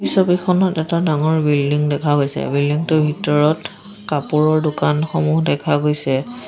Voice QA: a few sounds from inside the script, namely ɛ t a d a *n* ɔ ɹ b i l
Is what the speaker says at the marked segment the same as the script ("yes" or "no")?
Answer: no